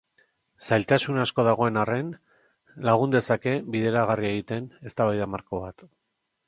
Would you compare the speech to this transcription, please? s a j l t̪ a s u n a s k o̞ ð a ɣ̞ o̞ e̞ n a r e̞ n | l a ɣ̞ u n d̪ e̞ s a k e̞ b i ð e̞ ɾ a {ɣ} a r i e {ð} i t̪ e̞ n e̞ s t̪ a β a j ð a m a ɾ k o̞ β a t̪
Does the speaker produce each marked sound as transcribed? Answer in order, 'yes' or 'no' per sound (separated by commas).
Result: yes, no